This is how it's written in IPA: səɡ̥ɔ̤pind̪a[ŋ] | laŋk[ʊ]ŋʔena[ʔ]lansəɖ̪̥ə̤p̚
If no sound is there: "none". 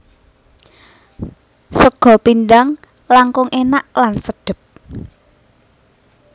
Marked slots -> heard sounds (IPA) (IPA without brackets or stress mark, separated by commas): ŋ, ʊ, ʔ